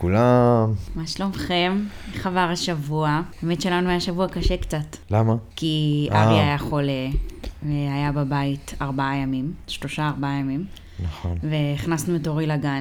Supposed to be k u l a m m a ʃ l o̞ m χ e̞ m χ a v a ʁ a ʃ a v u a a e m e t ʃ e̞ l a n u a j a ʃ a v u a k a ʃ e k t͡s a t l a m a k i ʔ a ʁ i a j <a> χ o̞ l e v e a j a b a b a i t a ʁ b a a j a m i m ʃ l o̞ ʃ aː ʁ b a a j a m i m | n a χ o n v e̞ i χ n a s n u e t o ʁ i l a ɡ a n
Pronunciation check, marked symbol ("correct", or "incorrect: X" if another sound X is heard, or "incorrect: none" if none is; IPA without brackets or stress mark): correct